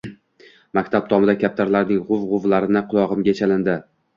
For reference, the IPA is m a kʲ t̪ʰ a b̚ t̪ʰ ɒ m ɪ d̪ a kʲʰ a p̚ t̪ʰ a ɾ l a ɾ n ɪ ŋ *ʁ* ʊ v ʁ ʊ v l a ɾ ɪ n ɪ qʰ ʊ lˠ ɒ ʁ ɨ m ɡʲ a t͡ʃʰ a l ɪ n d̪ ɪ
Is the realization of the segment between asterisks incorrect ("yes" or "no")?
no